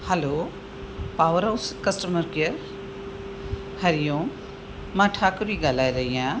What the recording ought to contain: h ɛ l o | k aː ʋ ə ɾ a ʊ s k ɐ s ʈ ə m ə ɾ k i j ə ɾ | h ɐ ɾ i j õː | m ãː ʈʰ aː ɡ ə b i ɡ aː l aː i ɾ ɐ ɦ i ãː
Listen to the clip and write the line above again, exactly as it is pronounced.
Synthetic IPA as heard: h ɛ l o | p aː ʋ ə ɾ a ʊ s k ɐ s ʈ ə m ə ɾ k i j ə ɾ | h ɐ ɾ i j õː | m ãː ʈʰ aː k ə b i ɡ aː l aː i ɾ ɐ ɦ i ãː